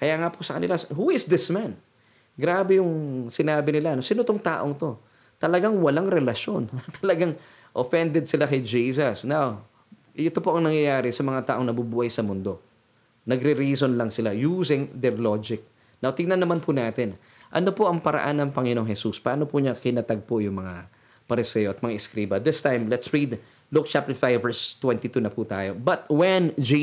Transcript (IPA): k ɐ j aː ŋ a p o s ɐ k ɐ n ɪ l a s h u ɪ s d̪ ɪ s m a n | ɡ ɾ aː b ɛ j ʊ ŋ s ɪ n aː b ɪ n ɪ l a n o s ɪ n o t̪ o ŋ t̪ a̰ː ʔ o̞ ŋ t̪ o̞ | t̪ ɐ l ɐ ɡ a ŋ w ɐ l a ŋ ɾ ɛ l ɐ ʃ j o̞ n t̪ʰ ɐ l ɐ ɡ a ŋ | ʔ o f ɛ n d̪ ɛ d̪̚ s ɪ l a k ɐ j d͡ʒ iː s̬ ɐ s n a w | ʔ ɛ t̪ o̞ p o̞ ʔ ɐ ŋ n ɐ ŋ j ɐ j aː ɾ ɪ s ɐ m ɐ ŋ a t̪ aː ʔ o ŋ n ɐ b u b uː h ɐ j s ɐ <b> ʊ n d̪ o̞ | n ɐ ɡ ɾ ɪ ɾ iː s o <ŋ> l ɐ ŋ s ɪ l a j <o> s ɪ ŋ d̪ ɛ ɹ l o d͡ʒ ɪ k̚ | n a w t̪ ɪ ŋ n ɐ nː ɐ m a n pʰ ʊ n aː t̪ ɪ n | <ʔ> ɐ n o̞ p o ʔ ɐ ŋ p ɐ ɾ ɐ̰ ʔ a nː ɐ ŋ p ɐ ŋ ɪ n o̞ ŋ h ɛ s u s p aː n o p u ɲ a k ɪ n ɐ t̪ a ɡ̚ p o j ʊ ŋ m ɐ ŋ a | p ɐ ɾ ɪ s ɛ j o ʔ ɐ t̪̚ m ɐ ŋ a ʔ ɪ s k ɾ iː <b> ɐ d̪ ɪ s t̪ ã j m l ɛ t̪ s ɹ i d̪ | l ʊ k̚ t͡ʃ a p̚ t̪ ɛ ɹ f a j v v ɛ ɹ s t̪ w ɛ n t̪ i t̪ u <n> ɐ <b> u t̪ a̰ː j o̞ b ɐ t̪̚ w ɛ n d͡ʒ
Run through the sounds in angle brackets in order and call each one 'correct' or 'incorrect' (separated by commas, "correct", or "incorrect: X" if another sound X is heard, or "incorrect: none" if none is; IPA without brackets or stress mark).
incorrect: m, incorrect: n, incorrect: u, correct, correct, correct, incorrect: p